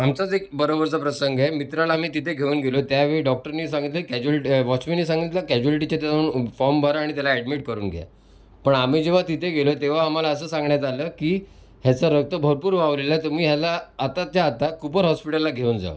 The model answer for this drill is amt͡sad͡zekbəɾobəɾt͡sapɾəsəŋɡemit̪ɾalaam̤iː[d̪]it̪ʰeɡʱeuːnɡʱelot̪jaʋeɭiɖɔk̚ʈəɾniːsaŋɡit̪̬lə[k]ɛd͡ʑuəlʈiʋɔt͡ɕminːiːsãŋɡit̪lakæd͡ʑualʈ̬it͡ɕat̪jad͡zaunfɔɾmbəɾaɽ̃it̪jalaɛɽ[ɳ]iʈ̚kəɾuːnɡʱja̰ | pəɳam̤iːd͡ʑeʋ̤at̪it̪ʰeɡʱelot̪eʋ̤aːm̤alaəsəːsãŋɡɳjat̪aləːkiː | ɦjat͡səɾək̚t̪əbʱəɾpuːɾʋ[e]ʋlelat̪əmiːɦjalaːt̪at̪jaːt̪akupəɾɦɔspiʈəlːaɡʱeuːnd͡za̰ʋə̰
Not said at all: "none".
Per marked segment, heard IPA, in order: t̪, k, m, a

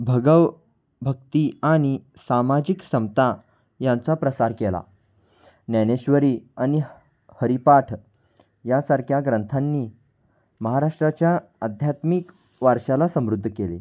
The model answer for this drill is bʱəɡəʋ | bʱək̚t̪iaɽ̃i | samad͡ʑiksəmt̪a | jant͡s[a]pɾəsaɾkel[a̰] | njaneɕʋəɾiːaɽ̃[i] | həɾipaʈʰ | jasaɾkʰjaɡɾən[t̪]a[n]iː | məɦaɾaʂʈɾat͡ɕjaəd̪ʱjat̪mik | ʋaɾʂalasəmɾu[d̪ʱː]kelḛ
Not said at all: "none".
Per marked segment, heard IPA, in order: a, a̰, i, t̪ʰ, nː, d̪ʱː

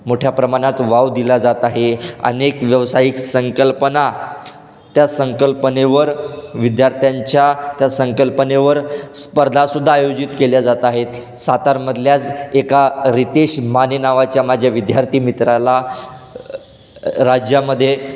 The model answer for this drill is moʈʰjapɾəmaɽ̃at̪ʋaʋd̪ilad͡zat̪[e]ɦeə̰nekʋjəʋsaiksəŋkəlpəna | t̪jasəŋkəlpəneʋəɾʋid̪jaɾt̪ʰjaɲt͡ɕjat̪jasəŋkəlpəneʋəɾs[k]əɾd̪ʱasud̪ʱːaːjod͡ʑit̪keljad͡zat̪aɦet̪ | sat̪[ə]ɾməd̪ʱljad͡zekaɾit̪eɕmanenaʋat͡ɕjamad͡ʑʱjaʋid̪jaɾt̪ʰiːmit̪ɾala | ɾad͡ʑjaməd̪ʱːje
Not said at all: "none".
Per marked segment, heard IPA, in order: a, p, a

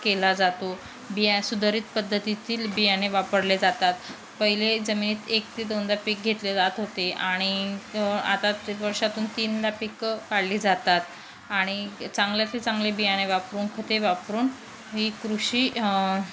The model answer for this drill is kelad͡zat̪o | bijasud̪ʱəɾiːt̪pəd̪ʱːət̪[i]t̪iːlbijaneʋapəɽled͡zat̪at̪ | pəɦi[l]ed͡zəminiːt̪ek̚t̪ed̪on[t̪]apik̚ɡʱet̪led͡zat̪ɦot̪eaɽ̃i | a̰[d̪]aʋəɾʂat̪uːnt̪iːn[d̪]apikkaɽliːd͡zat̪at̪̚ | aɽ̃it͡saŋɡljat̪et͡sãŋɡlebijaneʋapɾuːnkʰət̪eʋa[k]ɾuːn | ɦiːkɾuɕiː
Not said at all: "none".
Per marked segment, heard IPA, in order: i, l, d̪, t̪, d̪, p

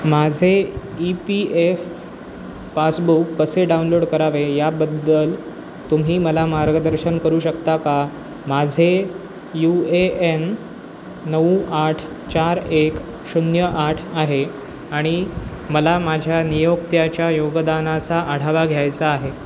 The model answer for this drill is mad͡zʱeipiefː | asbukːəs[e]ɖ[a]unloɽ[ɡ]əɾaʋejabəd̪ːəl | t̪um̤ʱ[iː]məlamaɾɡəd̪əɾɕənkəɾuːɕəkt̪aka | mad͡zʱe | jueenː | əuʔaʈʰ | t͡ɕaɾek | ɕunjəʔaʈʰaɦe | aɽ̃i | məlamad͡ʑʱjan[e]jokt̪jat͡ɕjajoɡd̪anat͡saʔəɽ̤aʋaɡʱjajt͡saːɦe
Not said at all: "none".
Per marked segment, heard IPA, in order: e, a, k, iː, i

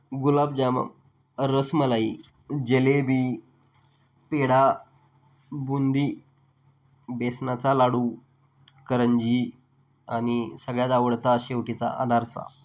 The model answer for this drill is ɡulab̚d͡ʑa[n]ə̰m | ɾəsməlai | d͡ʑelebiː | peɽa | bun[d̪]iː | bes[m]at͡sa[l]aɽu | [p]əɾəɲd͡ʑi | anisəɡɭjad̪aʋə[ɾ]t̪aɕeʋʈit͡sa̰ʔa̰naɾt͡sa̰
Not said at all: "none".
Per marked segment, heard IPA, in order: m, d̪, n, l, k, ɽ

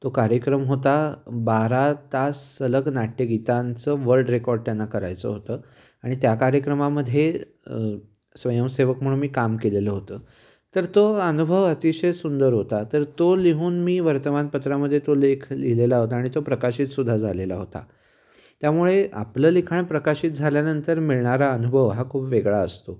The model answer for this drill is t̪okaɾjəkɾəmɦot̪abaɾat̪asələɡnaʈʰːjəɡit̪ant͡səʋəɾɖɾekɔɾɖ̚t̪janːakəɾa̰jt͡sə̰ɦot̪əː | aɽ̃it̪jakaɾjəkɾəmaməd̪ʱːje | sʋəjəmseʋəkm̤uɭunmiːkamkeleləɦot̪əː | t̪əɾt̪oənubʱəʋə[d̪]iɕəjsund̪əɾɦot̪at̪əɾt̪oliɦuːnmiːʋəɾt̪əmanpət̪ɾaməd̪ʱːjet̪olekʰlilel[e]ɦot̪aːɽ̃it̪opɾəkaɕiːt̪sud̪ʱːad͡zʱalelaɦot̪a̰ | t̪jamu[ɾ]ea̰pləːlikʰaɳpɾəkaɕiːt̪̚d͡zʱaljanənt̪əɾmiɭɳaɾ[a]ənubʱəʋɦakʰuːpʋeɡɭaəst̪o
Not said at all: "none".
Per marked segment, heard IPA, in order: t̪, a, ɭ, a

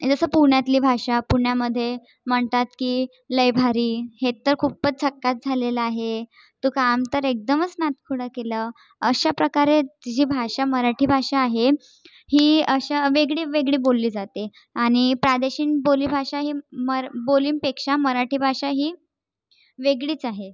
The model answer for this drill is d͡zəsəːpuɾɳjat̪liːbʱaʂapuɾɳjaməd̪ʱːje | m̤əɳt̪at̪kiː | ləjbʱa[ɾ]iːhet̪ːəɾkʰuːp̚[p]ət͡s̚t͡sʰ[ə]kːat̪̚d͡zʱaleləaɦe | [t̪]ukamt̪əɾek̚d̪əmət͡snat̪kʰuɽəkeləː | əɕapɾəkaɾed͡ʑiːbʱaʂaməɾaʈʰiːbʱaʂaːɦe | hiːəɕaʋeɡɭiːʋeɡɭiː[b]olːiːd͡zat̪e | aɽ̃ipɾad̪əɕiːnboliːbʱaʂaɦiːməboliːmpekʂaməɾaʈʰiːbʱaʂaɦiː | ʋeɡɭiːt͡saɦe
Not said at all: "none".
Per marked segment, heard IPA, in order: ɾ, p, ə, t̪, b

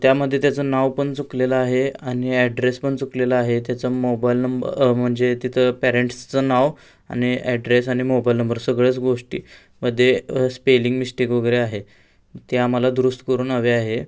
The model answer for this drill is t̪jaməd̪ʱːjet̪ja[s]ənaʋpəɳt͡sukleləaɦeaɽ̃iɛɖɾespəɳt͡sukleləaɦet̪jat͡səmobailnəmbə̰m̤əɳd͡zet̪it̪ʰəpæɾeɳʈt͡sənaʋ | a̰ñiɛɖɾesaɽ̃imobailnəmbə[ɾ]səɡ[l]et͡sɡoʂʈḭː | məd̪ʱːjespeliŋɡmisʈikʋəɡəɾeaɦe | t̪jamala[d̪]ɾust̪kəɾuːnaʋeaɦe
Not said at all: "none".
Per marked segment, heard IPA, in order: t͡s, ɾ, ɭ, d̪

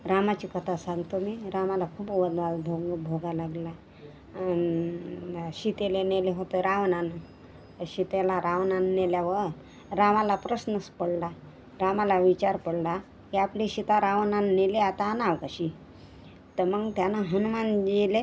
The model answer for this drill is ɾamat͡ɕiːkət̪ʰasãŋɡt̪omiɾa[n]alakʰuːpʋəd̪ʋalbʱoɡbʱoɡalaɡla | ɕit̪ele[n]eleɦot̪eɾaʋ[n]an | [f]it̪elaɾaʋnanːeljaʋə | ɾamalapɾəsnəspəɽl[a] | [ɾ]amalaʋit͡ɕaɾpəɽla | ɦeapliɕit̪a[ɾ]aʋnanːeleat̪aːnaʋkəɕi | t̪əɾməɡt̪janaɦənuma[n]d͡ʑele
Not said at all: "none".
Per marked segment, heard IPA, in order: m, n, n, ɕ, a, ɾ, ɾ, n

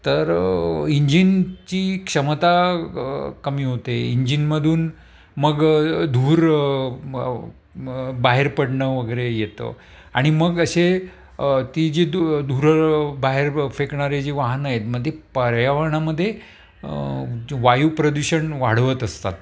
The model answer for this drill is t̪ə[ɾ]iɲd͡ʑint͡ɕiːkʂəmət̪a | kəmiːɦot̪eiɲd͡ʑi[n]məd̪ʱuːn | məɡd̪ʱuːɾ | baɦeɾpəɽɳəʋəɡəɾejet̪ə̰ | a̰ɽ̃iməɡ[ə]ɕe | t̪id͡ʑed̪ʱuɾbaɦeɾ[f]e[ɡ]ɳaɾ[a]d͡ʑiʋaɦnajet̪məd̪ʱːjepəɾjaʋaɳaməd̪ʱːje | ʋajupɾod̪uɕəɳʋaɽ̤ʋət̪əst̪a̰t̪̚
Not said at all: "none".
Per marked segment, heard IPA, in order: ɾ, n, ə, f, k, e

